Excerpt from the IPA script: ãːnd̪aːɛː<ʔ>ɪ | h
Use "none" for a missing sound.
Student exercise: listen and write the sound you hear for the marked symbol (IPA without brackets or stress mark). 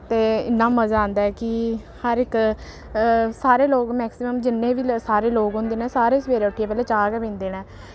k